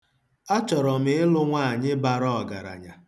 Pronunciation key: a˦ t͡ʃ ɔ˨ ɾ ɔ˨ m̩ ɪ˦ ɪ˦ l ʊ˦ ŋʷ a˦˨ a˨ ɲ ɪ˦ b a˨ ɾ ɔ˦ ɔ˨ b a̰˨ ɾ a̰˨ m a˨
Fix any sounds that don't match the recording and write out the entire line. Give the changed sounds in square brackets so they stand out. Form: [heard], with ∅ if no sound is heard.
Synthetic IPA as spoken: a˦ t͡ʃ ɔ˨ ɾ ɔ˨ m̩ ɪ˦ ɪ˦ l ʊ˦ ŋʷ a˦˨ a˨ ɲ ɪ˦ b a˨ ɾ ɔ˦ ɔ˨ [ɡ] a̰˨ ɾ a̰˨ [ɲ] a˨